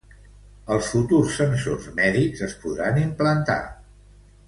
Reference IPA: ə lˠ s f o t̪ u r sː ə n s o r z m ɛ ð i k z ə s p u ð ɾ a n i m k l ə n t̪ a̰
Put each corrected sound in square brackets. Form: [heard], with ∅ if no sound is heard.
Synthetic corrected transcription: ə lˠ s f [u] t̪ u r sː ə n s o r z m ɛ ð i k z ə s p u ð ɾ a n i m [p] l ə n t̪ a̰